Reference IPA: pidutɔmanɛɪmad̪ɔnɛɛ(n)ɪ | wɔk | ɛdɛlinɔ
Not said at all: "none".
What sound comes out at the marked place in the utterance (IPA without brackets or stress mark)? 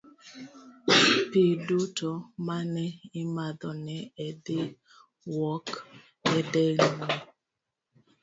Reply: d